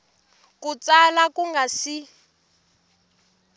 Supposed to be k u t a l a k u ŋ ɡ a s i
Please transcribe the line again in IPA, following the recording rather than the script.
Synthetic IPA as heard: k u t͡s a l a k u ŋ ɡ a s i